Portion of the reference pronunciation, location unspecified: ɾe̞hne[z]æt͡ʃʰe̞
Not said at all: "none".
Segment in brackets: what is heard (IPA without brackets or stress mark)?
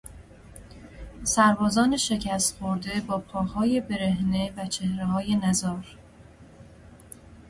v